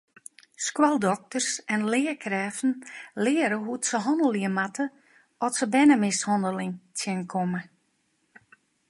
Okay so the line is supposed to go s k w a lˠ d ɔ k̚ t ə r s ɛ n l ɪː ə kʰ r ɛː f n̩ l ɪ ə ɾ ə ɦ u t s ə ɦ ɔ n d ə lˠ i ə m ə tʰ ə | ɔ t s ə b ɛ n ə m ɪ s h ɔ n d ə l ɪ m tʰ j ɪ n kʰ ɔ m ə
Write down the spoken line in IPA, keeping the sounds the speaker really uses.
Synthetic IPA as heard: s k w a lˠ d ɔ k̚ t ə r s ɛ n l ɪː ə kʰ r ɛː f n̩ l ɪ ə ɾ ə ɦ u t s ə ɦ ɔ n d ə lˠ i ə m a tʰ ə | ɔ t s ə b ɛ n ə m ɪ s h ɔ n d ə l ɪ ŋ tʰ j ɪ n kʰ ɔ m ə